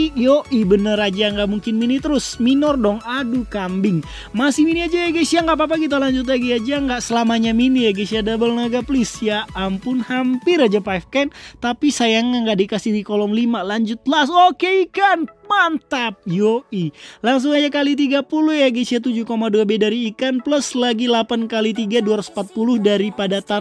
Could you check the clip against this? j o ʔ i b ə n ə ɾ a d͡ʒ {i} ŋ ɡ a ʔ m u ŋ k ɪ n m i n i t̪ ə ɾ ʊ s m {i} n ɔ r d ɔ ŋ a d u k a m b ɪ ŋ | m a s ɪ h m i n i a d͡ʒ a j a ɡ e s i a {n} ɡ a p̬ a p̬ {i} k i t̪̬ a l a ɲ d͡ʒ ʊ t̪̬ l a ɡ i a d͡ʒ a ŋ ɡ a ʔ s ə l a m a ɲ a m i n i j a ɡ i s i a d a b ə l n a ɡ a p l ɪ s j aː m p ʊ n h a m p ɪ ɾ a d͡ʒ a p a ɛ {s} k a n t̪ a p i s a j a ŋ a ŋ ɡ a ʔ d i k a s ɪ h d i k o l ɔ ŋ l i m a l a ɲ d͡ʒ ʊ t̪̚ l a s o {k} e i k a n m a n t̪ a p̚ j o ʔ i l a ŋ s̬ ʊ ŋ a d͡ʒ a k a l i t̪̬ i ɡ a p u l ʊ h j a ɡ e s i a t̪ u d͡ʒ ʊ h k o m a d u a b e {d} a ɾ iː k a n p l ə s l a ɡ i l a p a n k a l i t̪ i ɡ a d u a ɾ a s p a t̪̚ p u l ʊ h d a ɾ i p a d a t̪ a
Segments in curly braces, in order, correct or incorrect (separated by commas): incorrect, correct, incorrect, incorrect, incorrect, correct, correct